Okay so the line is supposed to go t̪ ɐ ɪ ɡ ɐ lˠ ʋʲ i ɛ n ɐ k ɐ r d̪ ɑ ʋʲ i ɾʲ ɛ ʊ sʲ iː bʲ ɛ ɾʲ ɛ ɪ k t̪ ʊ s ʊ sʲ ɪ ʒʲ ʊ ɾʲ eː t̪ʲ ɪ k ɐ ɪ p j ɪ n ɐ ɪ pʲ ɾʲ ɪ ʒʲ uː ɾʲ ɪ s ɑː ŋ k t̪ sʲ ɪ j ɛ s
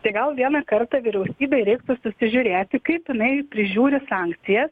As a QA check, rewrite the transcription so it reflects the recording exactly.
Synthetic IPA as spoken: t̪ ɐ ɪ ɡ ɐ lˠ ʋʲ i ɛ n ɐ k ɐ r t̪ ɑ ʋʲ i ɾʲ ɛ ʊ sʲ iː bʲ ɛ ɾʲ ɛ ɪ k t̪ ʊ s ʊ sʲ ɪ ʒʲ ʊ ɾʲ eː t̪ʲ ɪ k ɐ ɪ p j ɪ n ɐ ɪ pʲ ɾʲ ɪ ʒʲ uː ɾʲ ɪ s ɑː ŋ k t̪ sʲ ɪ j ɛ s